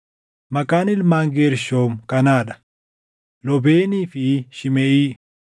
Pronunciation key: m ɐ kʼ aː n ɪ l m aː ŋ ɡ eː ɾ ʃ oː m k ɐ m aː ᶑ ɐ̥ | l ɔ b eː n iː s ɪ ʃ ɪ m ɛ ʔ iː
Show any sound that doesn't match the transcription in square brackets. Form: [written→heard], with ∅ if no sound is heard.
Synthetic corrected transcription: m ɐ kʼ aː n ɪ l m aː ŋ ɡ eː ɾ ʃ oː m k ɐ [m→n] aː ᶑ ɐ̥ | l ɔ b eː n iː [s→f] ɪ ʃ ɪ m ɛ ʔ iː